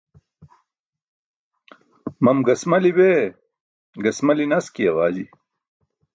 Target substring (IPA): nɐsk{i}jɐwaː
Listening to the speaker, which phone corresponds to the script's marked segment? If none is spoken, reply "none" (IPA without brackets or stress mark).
i